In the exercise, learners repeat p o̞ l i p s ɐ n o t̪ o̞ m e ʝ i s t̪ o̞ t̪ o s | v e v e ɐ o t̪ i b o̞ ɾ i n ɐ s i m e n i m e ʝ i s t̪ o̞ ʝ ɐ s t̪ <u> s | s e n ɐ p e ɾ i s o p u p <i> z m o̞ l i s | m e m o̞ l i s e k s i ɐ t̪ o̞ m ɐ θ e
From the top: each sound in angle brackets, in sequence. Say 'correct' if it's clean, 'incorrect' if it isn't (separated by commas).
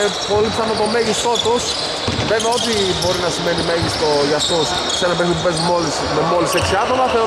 incorrect, incorrect